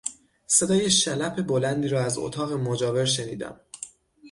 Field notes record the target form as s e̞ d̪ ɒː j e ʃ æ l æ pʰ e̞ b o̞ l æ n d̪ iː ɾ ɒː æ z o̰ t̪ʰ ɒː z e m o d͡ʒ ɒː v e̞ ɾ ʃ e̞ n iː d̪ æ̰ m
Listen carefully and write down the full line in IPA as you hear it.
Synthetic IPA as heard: s e̞ d̪ ɒː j e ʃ æ l æ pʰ e̞ b o̞ l æ n d̪ iː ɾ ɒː æ z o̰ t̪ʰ ɒː ɣ e m o d͡ʒ ɒː v e̞ ɾ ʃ e̞ n iː d̪ æ̰ m